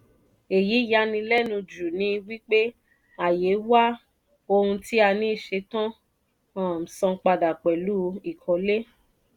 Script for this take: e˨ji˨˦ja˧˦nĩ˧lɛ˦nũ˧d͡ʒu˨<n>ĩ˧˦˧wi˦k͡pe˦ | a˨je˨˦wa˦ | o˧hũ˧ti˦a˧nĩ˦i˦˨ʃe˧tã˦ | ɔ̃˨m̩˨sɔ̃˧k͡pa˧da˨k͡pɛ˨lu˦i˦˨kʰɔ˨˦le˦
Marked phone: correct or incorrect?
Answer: correct